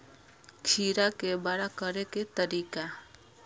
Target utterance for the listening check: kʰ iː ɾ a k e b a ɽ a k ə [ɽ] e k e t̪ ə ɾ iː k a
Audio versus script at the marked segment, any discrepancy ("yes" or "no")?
yes